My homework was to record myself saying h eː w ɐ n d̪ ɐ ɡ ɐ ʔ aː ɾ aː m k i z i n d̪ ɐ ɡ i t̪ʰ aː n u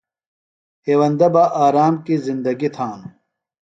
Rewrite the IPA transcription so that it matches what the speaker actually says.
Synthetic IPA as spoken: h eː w ɐ n d̪ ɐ b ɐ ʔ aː ɾ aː m k i z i n d̪ ɐ ɡ i t̪ʰ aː n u